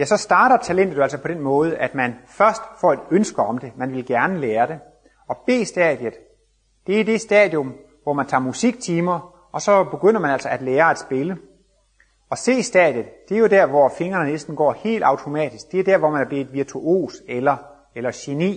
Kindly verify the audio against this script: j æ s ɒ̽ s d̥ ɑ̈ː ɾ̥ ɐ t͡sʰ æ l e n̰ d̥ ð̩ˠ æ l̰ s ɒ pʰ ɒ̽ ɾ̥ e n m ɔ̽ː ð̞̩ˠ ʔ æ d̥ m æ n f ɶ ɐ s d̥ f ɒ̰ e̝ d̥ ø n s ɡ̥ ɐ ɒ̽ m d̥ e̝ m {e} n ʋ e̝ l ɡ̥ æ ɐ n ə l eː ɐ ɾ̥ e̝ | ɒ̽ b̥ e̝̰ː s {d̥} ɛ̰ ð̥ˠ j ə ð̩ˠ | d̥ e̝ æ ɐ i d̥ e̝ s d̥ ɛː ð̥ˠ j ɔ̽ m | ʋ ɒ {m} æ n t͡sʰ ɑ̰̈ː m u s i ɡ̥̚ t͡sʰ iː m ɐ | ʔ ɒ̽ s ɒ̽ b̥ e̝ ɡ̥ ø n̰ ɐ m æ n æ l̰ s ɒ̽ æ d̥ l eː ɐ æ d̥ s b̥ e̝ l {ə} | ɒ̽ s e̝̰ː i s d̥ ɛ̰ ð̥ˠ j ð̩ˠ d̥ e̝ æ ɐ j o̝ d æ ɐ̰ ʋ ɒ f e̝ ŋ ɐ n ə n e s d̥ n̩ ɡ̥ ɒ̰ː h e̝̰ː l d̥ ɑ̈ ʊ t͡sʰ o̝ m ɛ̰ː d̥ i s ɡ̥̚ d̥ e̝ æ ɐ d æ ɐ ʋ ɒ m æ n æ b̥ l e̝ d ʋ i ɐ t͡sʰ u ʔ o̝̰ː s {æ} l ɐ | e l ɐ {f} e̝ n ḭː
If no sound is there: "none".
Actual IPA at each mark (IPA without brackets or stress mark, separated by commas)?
æ, d̥, m, ə, e, ɕ